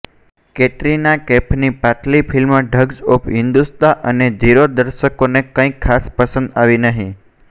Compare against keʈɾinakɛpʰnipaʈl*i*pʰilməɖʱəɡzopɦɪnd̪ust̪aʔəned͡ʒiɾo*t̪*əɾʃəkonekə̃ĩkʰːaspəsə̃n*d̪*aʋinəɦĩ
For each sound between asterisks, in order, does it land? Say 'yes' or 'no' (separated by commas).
yes, no, yes